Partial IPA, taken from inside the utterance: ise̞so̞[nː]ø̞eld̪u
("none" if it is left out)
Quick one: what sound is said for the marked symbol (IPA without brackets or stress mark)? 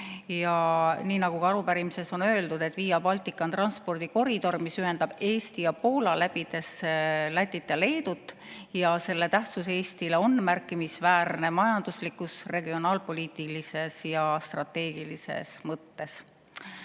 n